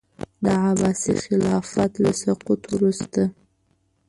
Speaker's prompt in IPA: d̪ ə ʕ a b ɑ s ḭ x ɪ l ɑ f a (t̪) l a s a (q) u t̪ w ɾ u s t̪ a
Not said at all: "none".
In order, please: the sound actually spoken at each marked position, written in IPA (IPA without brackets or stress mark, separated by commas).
t̪, q